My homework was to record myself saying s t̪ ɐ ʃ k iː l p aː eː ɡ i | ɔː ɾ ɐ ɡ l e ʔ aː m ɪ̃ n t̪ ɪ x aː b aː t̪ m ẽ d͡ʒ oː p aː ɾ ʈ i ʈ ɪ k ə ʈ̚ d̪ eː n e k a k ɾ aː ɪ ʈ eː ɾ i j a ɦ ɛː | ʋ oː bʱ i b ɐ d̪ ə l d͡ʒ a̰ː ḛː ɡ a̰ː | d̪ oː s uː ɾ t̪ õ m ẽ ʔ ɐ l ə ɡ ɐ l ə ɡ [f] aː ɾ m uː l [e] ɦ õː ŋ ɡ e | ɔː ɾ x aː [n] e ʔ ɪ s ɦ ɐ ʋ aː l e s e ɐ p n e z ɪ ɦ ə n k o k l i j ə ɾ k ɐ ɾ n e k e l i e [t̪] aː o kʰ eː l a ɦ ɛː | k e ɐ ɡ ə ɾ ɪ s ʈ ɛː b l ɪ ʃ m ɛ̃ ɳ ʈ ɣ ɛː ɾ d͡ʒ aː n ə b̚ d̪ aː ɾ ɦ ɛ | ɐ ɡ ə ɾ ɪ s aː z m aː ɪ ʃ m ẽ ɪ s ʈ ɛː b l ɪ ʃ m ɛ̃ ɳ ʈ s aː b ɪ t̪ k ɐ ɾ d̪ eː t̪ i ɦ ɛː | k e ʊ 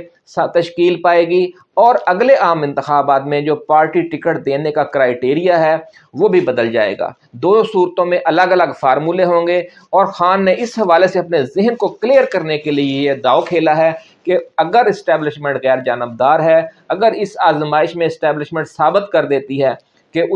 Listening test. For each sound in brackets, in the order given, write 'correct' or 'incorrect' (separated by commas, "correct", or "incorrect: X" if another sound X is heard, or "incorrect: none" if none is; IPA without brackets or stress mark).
correct, correct, incorrect: nː, incorrect: d̪